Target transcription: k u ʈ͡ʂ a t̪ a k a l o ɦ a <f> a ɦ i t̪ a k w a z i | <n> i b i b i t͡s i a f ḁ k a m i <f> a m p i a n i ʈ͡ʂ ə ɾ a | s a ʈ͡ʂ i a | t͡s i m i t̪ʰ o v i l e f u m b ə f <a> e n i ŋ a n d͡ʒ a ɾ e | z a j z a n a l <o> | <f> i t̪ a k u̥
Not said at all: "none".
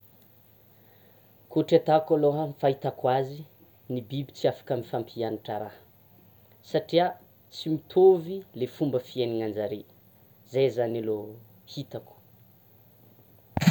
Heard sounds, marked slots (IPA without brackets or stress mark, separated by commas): f, n, f, i, o, h